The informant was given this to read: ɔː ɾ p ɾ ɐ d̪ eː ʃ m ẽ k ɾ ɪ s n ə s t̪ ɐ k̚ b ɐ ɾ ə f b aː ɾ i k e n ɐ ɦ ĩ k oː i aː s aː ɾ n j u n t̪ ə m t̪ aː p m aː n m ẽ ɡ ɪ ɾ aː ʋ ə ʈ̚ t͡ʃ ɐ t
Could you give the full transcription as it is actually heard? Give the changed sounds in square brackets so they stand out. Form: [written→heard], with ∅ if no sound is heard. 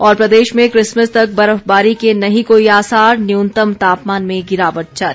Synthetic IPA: ɔː ɾ p ɾ ɐ d̪ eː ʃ m ẽ k ɾ ɪ s [n→m] ə s t̪ ɐ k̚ b ɐ ɾ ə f b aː ɾ i k e n ɐ ɦ ĩ k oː i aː s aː ɾ n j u n t̪ ə m t̪ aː p m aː n m ẽ ɡ ɪ ɾ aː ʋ ə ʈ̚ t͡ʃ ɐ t